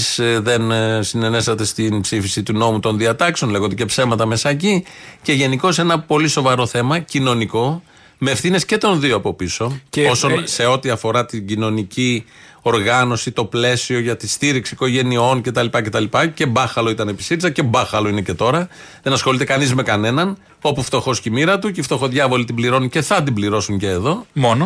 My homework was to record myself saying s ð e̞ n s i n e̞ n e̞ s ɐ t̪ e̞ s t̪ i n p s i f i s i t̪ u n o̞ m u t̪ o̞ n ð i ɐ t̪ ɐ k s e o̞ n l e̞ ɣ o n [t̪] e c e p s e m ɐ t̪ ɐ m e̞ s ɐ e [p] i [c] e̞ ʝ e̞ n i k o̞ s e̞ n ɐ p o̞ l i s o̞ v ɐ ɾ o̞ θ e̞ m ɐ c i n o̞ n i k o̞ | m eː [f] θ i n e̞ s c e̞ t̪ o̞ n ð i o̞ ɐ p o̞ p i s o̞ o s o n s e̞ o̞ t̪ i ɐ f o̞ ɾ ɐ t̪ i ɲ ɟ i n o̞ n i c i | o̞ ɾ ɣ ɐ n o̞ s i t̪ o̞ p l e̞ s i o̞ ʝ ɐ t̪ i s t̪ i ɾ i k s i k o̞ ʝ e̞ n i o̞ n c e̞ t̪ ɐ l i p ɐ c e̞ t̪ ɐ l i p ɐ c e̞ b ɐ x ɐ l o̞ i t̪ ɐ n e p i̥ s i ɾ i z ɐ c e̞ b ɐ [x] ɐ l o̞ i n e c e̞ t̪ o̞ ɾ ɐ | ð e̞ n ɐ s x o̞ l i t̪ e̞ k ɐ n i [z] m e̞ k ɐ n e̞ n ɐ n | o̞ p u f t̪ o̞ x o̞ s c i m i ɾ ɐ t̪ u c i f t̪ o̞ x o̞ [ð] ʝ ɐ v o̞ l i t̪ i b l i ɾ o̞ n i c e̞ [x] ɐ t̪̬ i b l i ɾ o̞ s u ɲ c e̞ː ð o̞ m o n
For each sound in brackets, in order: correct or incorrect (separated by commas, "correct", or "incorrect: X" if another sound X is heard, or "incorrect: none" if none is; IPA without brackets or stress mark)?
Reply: incorrect: d̪, incorrect: c, correct, correct, correct, correct, correct, incorrect: θ